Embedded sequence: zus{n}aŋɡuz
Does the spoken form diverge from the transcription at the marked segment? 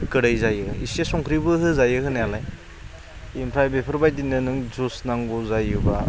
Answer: no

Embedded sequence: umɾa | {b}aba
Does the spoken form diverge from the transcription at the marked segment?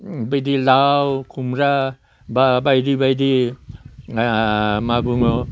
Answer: no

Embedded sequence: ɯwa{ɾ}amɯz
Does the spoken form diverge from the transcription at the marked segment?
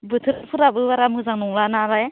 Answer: no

